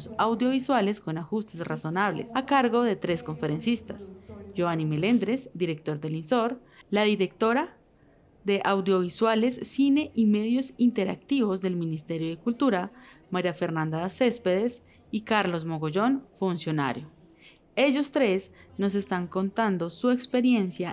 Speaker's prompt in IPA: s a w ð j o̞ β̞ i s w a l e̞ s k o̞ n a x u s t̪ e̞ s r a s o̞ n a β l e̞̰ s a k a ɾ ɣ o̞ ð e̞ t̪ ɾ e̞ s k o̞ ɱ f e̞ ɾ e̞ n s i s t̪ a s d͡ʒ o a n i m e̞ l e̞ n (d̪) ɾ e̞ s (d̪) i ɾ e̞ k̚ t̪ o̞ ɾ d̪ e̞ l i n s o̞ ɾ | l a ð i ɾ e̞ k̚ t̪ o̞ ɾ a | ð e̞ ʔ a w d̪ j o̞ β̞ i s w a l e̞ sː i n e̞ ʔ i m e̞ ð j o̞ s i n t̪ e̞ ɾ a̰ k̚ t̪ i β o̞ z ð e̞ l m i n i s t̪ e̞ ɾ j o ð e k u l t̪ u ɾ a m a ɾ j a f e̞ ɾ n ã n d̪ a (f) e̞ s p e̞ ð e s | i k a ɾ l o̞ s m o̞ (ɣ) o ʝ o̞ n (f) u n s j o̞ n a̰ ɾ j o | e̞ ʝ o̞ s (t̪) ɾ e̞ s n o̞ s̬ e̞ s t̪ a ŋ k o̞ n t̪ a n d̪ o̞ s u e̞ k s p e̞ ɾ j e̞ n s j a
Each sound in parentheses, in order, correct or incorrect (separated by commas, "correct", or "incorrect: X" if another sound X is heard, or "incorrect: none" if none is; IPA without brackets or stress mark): correct, correct, incorrect: s, correct, correct, correct